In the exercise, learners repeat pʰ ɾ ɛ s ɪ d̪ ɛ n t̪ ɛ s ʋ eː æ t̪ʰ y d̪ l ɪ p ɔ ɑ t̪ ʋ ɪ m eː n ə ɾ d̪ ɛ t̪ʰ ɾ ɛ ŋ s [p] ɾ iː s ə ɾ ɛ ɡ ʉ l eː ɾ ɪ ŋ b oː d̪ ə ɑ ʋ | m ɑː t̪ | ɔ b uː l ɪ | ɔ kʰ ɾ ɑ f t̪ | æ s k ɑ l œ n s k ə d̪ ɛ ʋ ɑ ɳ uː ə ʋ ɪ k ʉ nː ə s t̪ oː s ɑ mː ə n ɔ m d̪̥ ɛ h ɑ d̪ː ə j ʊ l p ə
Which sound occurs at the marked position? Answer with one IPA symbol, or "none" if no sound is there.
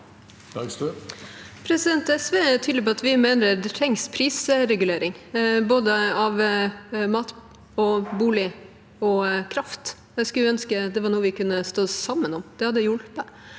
pʰ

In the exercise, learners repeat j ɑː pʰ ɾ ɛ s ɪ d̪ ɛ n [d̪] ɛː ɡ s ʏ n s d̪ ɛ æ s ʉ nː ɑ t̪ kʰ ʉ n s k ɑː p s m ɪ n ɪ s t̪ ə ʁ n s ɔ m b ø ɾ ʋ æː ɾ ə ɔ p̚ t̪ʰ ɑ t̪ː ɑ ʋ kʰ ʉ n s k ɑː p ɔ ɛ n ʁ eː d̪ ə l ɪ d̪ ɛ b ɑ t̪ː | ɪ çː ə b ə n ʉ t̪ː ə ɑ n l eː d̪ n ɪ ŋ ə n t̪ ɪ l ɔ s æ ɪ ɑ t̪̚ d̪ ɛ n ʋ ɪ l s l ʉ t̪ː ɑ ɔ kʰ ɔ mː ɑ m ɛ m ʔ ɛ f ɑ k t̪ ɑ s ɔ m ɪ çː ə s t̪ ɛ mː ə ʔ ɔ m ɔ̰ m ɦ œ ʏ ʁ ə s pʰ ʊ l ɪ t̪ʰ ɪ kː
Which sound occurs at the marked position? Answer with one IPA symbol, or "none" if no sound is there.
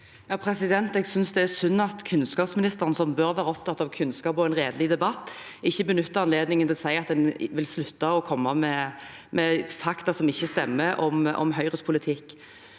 t̪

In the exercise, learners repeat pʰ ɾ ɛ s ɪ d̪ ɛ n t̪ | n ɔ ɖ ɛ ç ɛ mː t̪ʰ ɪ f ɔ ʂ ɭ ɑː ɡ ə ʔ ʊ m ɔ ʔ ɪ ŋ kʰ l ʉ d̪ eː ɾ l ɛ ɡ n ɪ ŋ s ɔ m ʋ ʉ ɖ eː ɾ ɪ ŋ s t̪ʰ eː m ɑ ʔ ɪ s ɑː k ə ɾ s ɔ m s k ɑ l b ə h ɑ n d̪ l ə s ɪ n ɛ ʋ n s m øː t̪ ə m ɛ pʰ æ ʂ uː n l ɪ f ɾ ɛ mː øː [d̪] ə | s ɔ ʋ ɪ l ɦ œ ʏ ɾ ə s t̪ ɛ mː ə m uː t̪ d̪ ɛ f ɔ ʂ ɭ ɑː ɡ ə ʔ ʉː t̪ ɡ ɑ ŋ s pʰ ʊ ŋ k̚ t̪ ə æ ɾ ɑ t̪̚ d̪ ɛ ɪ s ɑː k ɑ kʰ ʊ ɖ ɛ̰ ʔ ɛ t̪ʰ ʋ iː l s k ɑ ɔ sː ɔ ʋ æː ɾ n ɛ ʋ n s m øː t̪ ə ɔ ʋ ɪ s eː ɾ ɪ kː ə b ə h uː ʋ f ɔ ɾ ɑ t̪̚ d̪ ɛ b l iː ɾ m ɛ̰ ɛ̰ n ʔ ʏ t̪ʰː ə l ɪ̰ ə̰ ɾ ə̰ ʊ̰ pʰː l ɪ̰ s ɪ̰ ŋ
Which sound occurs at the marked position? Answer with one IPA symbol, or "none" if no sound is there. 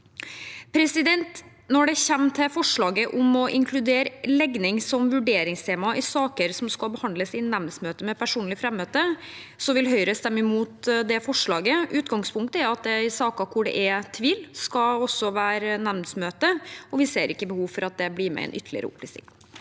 t̪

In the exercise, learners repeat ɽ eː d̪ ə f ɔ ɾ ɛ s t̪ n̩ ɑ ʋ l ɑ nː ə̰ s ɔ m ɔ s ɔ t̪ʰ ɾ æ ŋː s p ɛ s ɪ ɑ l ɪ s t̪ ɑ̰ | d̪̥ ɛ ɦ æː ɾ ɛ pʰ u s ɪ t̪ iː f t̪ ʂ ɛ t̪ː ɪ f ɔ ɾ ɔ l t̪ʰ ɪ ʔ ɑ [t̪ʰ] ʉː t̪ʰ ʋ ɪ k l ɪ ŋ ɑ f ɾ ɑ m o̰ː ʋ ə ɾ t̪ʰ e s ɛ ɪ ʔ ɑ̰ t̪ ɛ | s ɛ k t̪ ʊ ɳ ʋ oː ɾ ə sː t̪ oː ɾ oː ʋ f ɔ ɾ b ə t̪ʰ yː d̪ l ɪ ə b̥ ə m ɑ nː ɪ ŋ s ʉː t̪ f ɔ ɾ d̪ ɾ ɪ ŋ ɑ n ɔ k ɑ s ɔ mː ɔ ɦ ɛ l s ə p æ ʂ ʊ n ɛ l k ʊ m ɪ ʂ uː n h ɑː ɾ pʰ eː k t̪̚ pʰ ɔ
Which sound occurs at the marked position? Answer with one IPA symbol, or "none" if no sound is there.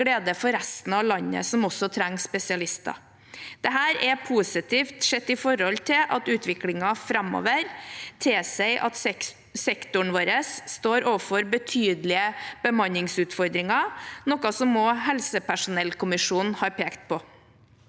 t̪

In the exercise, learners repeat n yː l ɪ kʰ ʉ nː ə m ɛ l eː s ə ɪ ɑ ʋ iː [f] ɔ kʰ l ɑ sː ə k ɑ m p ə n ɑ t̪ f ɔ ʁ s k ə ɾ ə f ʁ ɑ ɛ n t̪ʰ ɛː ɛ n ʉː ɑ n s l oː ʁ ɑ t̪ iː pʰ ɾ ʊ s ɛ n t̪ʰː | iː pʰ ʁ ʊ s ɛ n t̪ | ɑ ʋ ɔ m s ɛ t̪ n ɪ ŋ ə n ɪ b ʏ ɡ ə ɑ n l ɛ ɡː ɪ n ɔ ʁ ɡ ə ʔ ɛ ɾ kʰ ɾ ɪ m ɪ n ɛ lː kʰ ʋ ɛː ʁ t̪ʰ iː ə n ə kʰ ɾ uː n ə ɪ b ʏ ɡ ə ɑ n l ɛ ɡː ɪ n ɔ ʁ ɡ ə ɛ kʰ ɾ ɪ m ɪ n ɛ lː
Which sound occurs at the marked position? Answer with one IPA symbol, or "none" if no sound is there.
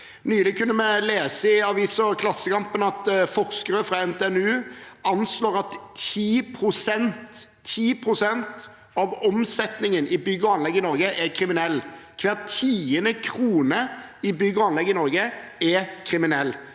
s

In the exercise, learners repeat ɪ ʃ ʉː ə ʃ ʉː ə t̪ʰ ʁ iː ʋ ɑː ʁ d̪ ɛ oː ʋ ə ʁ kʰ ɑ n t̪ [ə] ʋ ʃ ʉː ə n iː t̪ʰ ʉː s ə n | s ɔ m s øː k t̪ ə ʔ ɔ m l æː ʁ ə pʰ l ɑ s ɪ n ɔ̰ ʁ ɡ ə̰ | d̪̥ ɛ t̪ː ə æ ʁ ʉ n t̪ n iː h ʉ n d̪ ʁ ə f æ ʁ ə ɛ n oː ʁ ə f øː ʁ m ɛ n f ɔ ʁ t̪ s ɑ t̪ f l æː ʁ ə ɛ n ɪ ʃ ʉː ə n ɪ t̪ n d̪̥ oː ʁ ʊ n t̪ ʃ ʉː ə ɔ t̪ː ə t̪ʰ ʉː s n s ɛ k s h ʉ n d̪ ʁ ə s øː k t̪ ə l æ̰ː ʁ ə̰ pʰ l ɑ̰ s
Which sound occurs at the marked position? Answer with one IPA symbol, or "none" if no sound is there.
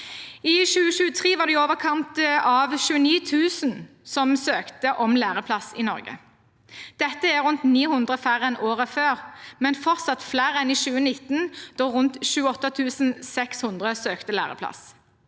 ɑ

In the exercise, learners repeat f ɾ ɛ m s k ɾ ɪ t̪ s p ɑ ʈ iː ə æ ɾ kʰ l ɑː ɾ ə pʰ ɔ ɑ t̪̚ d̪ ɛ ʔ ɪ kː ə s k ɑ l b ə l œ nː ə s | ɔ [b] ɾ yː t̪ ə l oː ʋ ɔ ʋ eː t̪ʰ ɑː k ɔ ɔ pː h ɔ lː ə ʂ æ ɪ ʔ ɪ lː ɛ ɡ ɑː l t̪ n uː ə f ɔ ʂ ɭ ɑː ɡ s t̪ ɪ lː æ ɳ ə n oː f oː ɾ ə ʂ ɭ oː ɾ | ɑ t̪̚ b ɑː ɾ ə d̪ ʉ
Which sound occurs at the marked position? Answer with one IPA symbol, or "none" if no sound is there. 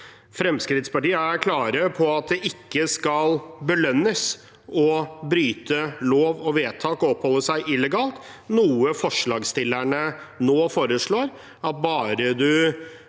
b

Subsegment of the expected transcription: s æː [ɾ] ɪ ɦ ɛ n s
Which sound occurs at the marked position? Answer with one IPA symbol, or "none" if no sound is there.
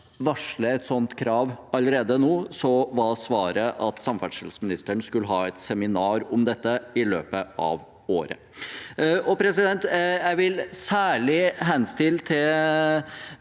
ɭ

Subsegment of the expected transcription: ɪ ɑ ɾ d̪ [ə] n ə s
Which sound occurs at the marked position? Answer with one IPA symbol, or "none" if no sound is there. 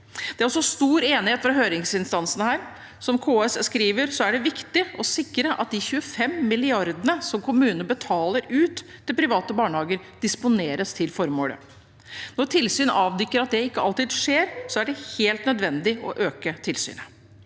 ə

